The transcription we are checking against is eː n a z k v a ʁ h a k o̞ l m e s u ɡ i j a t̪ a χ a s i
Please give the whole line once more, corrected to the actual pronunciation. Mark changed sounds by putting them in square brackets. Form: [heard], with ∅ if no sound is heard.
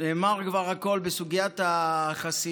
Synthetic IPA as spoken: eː [m] a [ʁ] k v a ʁ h a k o̞ l [b] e s u ɡ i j a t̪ a χ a s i